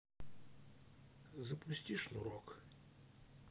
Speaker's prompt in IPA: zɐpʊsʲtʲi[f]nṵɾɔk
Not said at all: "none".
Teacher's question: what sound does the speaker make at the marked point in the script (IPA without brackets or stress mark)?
ʂ